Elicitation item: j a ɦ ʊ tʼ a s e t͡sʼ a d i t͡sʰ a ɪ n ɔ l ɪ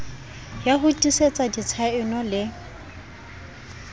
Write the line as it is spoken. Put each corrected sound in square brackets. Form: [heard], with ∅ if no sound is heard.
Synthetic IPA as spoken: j a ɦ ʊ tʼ [i] s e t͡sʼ a d i t͡sʰ a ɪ n ɔ l ɪ